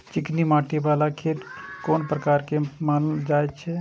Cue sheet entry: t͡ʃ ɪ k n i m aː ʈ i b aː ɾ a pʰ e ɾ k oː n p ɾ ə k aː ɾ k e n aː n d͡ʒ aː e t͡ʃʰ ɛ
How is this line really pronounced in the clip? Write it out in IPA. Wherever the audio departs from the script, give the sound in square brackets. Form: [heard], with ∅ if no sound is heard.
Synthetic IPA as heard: t͡ʃ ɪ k n i m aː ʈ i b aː [l] a [kʰ] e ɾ k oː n p ɾ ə k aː ɾ k e [m] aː n d͡ʒ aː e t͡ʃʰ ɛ